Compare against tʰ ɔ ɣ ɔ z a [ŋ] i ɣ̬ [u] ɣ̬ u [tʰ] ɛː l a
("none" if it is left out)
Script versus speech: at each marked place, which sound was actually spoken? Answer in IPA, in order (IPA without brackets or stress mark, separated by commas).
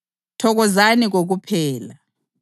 n, o, pʰ